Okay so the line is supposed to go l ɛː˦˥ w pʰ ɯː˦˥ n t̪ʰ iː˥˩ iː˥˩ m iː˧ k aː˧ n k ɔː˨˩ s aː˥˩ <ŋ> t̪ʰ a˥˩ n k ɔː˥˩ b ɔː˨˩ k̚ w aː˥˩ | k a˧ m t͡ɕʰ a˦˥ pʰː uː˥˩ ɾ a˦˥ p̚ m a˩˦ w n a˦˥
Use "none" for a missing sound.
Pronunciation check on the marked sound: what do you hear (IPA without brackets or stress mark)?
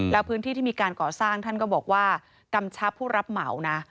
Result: ŋ